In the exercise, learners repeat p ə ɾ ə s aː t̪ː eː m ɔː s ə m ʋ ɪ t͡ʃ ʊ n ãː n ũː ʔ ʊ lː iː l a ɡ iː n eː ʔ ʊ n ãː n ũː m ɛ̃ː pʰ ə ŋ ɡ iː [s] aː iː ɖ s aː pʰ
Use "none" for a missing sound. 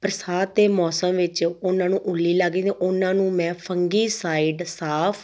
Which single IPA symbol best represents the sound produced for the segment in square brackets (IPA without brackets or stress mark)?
s